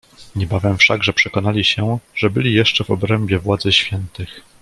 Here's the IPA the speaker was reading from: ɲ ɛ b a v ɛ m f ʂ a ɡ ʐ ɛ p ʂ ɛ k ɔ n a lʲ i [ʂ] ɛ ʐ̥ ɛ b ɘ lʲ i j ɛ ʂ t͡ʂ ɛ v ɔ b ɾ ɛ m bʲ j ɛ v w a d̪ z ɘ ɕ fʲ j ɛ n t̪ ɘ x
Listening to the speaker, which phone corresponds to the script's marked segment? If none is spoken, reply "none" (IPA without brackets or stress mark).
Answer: ɕ